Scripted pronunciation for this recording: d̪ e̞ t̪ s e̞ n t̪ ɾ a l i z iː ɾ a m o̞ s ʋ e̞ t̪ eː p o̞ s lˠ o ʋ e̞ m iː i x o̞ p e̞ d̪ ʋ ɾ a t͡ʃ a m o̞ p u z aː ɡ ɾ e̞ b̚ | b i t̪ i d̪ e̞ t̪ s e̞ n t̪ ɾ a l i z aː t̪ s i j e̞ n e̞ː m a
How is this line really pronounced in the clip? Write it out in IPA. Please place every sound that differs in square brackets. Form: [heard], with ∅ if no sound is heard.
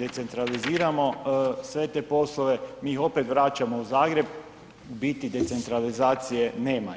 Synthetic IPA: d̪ e̞ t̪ s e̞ n t̪ ɾ a l i z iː ɾ a m o̞ s ʋ e̞ t̪ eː p o̞ s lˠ o ʋ e̞ m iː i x o̞ p e̞ [t̪] ʋ ɾ a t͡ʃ a m o̞ [∅] u z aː ɡ ɾ e̞ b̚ | b i t̪ i d̪ e̞ t̪ s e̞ n t̪ ɾ a l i z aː t̪ s i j e̞ n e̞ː m a